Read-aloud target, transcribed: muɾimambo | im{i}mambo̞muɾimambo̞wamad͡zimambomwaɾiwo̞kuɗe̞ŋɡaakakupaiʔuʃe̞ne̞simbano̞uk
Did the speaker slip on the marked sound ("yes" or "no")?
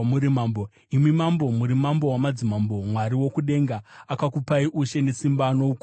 no